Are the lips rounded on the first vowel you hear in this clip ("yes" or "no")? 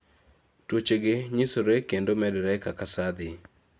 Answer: yes